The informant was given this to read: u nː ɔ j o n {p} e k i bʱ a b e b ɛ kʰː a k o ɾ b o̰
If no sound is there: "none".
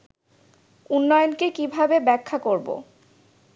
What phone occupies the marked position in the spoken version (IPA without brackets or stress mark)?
k